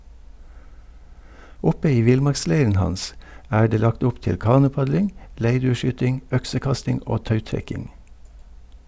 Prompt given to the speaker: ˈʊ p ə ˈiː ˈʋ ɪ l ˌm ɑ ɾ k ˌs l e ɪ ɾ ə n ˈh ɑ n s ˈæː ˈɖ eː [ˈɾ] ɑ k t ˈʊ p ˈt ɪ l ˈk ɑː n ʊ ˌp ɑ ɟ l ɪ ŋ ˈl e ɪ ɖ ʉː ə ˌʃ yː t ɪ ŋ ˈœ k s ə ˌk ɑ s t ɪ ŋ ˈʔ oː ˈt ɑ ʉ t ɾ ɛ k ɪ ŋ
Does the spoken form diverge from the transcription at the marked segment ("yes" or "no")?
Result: yes